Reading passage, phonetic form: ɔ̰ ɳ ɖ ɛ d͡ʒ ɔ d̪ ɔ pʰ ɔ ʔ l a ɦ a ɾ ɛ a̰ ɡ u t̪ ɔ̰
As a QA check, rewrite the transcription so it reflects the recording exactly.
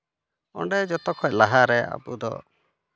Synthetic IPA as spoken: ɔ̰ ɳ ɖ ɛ d͡ʒ ɔ t̪ ɔ kʰ ɔ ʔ l a ɦ a ɾ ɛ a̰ b u d̪ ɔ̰

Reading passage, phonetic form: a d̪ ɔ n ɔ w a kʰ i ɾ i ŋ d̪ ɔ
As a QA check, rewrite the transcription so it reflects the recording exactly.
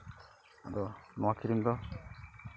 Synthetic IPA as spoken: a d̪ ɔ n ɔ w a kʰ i ɾ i m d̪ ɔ

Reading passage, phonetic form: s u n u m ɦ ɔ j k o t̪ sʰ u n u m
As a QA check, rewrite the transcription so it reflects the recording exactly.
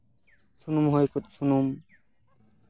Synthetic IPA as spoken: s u n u m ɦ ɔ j k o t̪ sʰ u n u m

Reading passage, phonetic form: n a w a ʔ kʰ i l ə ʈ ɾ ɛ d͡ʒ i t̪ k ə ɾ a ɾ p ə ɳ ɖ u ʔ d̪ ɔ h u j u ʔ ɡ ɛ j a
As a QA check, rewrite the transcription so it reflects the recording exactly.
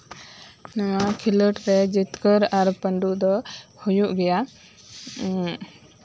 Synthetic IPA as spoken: n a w a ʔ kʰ i l ə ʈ ɾ ɛ d͡ʒ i t̪ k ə ɾ a ɾ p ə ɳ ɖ u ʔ d̪ ɔ h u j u ʔ ɡ ɛ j a

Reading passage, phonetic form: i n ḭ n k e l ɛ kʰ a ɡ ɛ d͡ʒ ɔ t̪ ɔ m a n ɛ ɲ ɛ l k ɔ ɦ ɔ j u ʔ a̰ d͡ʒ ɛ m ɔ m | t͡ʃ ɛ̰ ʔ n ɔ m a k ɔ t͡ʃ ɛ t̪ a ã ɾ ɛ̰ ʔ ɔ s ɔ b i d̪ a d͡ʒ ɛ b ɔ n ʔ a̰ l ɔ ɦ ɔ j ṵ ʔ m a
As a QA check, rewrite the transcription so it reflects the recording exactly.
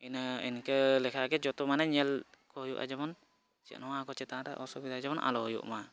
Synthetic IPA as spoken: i n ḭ n k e l ɛ kʰ a ɡ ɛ d͡ʒ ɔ t̪ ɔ m a n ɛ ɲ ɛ l k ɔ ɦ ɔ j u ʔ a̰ d͡ʒ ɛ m ɔ n | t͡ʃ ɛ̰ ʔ n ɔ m a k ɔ t͡ʃ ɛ t̪ a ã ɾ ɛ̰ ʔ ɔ s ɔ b i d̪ a d͡ʒ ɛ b ɔ n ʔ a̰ l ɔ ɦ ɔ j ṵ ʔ m a

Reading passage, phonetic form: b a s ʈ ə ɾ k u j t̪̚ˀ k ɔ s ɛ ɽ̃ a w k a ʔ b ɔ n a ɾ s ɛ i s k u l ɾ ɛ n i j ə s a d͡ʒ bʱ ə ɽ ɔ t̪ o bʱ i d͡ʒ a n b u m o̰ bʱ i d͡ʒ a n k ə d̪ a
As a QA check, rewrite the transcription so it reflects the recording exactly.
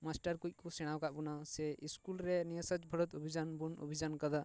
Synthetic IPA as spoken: m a s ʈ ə ɾ k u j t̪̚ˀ k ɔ s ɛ ɽ̃ a w k a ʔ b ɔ n a s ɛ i s k u l ɾ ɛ n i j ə s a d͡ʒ bʱ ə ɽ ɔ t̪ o bʱ i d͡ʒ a n b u n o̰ bʱ i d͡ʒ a n k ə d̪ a

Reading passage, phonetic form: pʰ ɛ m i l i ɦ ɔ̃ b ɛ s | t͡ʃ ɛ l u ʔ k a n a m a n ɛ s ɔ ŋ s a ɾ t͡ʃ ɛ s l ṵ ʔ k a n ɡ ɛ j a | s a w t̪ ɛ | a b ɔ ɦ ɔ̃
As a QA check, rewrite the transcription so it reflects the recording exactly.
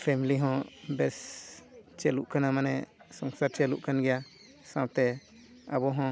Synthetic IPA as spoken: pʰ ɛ m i l i ɦ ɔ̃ b ɛ s | t͡ʃ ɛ l u ʔ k a n a m a n ɛ s ɔ ŋ s a ɾ t͡ʃ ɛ l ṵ ʔ k a n ɡ ɛ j a | s a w t̪ ɛ | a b ɔ ɦ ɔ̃

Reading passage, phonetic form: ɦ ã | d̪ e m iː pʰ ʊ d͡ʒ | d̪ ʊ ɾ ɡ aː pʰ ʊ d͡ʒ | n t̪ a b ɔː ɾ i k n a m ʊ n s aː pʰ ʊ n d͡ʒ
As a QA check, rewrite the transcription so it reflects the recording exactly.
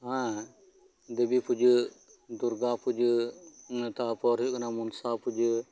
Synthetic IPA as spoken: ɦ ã | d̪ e b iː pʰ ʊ d͡ʒ | d̪ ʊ ɾ ɡ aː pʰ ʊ d͡ʒ | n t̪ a p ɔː ɾ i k n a m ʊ n s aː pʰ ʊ d͡ʒ

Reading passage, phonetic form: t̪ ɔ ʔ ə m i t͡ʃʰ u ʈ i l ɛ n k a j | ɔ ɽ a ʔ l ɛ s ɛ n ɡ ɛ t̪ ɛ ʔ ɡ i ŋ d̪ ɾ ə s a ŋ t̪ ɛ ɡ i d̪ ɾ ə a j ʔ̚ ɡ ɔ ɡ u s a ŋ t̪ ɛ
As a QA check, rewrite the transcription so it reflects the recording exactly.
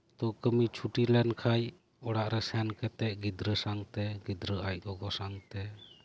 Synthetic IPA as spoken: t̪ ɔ k ə m i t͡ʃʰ u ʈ i l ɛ n kʰ a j | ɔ ɽ a ʔ ɾ ɛ s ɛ n k ɛ t̪ ɛ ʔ ɡ i d̪ ɾ ə s a ŋ t̪ ɛ ɡ i d̪ ɾ ə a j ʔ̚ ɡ ɔ ɡ ɔ s a ŋ t̪ ɛ

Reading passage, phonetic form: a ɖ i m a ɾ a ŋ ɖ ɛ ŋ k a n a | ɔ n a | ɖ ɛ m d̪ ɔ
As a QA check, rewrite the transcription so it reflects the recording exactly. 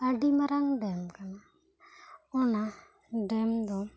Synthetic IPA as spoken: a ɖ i m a ɾ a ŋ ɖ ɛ m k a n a | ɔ n a | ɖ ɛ m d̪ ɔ

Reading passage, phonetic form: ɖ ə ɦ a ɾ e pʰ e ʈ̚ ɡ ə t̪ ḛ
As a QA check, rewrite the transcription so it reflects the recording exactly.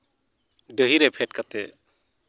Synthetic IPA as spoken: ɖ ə ɦ i ɾ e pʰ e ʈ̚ k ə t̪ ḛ

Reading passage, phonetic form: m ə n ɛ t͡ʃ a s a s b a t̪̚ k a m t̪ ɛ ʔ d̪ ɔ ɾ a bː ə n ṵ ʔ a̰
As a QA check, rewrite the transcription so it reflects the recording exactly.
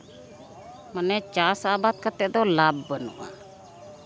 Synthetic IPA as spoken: m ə n ɛ t͡ʃ a s a b a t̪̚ k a t̪ ɛ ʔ d̪ ɔ l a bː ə n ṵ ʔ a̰

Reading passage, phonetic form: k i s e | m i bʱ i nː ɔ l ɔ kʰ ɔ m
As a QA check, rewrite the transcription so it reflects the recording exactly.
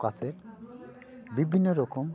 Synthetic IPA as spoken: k a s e | b i bʱ i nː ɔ ɾ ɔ k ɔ m

